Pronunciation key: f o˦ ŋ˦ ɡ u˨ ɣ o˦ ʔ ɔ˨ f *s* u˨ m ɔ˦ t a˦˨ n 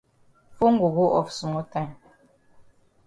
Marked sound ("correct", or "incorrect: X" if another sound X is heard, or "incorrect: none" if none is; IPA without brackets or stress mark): correct